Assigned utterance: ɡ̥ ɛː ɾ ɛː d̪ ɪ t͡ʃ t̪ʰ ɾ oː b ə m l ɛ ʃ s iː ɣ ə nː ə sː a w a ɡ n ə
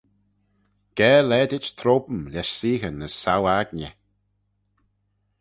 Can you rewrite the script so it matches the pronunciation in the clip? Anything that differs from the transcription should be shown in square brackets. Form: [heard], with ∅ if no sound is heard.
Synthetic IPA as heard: ɡ̥ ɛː [l] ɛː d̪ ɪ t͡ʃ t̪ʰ ɾ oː b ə m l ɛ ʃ s iː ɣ ə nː ə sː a w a ɡ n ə